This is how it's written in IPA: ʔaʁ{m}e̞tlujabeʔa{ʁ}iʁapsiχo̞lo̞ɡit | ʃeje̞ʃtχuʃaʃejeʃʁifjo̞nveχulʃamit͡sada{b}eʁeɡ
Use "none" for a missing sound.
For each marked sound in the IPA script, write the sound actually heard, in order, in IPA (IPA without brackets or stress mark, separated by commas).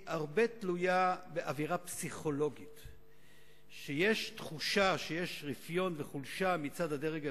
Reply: b, v, d